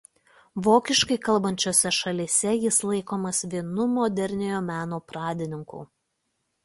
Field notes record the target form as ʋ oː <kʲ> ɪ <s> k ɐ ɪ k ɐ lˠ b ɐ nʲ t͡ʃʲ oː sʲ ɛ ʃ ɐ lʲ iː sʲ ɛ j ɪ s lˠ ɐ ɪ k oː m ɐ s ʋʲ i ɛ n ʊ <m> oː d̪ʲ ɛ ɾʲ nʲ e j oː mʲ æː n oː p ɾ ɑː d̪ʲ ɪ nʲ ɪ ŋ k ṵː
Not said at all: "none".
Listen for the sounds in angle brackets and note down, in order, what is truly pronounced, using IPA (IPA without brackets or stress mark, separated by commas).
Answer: kʲ, ʃ, m